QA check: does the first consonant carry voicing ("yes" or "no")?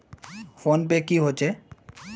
no